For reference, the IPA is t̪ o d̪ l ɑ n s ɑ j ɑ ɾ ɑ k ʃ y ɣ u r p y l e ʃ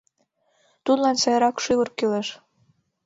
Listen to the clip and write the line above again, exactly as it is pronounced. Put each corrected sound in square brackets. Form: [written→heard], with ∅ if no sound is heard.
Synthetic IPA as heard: t̪ [o→u] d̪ l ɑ n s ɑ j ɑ ɾ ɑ k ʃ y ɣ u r [p→k] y l e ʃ